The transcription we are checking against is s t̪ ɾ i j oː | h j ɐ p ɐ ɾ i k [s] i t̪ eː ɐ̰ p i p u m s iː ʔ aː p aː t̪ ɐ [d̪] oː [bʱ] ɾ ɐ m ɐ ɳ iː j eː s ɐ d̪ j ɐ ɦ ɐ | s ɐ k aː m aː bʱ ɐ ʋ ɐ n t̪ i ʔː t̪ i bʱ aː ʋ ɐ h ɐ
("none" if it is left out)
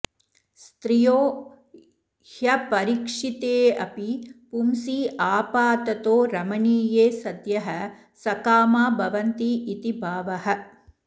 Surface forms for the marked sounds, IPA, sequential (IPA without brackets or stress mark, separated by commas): ʂ, t̪, none